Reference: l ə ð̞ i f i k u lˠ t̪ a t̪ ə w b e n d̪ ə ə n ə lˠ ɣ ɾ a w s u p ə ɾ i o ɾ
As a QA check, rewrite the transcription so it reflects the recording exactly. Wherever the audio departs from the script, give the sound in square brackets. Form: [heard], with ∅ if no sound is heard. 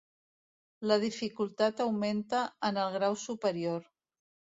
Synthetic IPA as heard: l ə ð̞ i f i k u lˠ t̪ a t̪ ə w [m] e n [t̪] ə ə n ə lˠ ɣ ɾ a w s u p ə ɾ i o ɾ